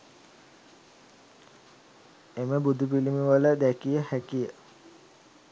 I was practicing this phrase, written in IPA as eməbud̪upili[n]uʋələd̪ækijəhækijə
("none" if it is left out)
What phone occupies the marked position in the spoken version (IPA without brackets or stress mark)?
m